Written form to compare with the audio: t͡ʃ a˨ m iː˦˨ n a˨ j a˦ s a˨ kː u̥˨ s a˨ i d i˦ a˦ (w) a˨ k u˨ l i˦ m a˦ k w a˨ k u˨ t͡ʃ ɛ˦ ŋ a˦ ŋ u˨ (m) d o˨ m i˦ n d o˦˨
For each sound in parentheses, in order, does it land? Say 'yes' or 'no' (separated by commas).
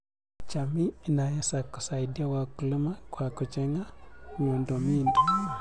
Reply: yes, no